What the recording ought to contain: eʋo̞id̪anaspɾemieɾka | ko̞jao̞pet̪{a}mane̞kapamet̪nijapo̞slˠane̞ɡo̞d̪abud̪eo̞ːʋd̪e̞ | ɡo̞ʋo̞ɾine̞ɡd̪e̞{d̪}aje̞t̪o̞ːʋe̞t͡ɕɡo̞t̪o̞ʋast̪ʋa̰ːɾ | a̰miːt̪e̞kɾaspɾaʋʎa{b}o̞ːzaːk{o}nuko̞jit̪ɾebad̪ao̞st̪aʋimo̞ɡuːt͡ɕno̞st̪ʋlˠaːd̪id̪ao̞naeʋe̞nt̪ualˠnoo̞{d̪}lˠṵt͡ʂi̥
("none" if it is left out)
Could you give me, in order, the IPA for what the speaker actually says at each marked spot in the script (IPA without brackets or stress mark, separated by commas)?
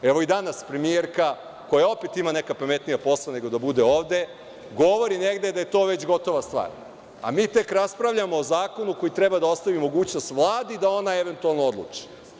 i, d̪, m, o, d̪